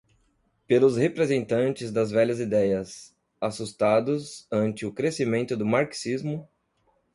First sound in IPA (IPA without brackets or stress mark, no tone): p